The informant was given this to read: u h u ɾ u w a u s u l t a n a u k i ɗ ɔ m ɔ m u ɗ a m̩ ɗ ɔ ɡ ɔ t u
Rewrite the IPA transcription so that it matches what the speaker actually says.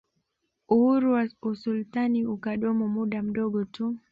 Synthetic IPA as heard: u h u ɾ u w a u s u l t a n i u k a ɗ ɔ m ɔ m u ɗ a m̩ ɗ ɔ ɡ ɔ t u